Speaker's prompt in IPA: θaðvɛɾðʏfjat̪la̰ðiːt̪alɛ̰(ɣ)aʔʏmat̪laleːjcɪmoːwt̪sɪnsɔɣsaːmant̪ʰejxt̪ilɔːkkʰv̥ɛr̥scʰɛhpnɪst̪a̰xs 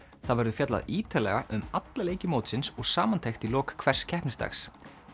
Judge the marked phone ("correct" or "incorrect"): correct